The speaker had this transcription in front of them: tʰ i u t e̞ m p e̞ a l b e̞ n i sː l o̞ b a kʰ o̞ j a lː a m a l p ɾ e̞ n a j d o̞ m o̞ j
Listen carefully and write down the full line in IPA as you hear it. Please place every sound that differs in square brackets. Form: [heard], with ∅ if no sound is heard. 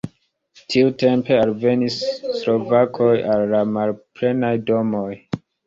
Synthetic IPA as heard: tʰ i u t e̞ m p e̞ a l [v] e̞ n i sː l o̞ [v] a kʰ o̞ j a lː a m a l p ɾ e̞ n a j d o̞ m o̞ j